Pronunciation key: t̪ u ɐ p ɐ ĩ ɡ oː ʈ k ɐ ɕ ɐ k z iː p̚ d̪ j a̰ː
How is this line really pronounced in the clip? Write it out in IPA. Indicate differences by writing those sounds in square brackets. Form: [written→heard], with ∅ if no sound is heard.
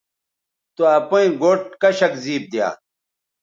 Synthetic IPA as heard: t̪ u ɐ p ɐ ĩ ɡ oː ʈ k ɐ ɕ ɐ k z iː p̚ d̪ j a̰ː

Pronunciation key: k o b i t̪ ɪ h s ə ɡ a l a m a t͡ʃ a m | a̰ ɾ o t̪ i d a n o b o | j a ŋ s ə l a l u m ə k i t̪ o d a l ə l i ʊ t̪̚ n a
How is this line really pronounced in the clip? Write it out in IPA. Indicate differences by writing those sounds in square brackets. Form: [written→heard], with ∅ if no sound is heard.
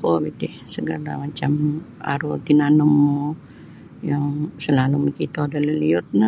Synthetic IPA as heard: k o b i t̪ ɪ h s ə ɡ a l a m a t͡ʃ a m | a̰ ɾ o t̪ i [d→n] a n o [b→m] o | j a ŋ s ə l a l u m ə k i t̪ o d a l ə l i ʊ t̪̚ n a

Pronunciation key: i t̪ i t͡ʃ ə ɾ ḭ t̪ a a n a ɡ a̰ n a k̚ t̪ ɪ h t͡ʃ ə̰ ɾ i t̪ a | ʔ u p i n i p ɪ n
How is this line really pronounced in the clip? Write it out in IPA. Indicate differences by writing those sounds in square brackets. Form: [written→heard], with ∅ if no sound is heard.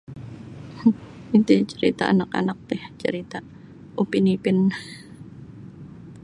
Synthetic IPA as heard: i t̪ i t͡ʃ ə ɾ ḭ t̪ a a n a [ɡ→k] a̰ n a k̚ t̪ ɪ h t͡ʃ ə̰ ɾ i t̪ a | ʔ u p i n i p ɪ n

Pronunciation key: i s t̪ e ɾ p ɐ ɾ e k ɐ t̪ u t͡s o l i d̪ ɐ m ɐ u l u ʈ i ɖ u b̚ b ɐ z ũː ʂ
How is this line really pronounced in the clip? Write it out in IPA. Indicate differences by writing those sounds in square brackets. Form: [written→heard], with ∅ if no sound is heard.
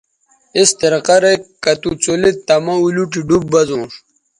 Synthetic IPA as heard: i s t̪ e ɾ [p→q] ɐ ɾ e k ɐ t̪ u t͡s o l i [d̪→t̪] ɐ m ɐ u l u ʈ i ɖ u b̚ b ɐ z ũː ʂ

